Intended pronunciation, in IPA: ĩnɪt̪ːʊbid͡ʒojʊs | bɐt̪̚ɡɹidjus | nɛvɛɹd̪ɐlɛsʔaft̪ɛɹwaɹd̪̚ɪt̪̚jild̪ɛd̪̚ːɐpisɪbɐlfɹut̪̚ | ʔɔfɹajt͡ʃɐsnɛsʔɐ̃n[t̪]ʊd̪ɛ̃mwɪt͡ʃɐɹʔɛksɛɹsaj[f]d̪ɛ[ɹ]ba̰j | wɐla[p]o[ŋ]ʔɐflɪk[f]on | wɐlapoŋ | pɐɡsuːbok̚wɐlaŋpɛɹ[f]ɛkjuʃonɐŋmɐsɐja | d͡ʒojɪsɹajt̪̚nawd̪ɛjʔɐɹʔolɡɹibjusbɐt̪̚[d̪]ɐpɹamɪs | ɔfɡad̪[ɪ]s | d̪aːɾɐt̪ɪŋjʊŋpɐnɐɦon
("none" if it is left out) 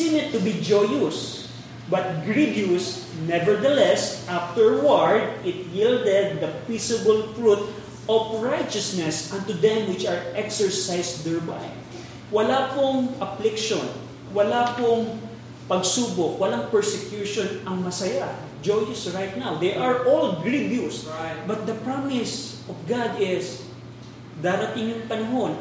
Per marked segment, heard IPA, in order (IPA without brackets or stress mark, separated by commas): t̪, s, ɹ, p, ŋ, ʃ, s, d̪, ɪ